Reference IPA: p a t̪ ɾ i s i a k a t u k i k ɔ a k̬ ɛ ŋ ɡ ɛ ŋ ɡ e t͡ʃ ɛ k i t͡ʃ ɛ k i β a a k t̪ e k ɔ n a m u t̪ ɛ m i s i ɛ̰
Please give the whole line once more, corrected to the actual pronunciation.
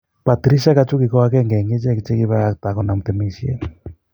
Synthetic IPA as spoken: p a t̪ ɾ i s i a k a t͡ʃ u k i k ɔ a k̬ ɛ ŋ ɡ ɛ ŋ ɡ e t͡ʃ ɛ k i t͡ʃ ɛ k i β a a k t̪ a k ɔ n a m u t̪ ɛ m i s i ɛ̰

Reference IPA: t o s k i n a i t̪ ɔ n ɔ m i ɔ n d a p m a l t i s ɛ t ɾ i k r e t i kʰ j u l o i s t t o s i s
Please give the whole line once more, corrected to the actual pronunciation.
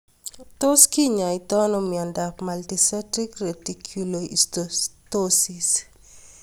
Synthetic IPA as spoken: t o s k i ɲ a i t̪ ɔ n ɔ m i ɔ n d a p m a l t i s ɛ t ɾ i k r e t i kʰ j u l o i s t t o s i s

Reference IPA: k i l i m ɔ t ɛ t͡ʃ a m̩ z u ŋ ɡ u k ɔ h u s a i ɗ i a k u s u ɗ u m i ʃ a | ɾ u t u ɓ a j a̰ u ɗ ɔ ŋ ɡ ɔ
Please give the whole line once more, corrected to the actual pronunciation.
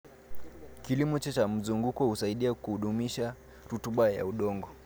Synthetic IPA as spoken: k i l i m ɔ t͡ʃ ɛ t͡ʃ a m̩ z u ŋ ɡ u k ɔ h u s a i ɗ i a k u h u ɗ u m i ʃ a | ɾ u t u ɓ a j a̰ u ɗ ɔ ŋ ɡ ɔ

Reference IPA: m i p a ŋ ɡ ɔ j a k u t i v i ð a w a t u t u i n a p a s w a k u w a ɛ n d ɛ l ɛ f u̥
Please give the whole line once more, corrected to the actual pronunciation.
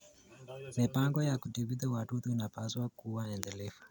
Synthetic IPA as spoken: m i p a ŋ ɡ ɔ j a k u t i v i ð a w a t u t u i n a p a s w a k u w a ɛ n d ɛ l ɛ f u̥

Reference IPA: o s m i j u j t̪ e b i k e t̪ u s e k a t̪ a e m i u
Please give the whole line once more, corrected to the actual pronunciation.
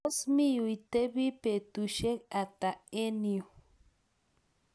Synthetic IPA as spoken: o s m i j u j t̪ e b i p e t̪ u ʃ e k a t̪ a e n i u

